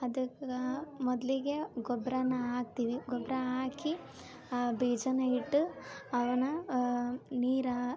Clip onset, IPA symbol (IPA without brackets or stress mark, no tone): ɐ